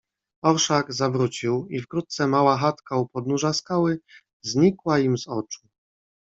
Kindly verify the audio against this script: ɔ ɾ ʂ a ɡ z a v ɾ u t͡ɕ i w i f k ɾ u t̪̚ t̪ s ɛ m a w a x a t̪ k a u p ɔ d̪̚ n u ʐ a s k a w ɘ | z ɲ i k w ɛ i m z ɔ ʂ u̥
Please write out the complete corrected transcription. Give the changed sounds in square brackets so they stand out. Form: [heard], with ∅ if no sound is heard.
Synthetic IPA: ɔ ɾ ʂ a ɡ z a v ɾ u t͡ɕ i w i f k ɾ u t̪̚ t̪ s ɛ m a w a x a t̪ k a u p ɔ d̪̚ n u ʐ a s k a w ɘ | z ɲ i k w [a] i m z ɔ [t͡ʂ] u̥